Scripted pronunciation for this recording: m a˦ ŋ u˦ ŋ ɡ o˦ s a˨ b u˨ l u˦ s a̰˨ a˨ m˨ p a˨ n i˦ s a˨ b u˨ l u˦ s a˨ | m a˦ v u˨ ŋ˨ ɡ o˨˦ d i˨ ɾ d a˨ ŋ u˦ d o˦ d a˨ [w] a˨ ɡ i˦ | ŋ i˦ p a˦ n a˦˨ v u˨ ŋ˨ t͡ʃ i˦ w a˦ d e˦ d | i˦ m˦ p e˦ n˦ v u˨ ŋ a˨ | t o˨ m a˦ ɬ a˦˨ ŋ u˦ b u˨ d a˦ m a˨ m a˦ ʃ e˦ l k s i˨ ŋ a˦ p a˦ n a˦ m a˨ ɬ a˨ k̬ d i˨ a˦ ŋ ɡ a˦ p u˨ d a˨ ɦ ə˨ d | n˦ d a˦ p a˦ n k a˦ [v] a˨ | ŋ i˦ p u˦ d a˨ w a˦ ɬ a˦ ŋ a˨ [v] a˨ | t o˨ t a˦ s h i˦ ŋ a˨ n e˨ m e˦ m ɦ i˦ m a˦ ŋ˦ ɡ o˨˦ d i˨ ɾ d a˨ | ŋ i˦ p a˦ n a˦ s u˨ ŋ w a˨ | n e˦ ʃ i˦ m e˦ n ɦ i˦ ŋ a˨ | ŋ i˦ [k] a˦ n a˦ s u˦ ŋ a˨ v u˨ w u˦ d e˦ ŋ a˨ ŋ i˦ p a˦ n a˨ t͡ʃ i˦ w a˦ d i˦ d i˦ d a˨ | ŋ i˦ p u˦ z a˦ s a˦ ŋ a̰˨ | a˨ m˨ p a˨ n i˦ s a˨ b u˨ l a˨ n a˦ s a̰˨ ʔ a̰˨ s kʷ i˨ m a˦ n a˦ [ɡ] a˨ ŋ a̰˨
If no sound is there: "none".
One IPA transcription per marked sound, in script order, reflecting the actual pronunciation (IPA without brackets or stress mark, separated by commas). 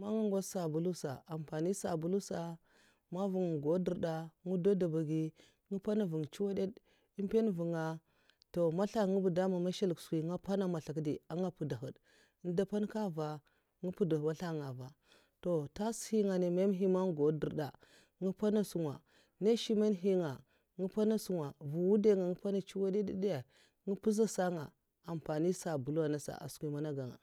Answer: b, v, v, p, ɡ